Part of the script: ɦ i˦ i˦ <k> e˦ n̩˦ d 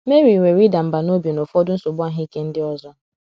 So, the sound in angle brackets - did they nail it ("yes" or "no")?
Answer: yes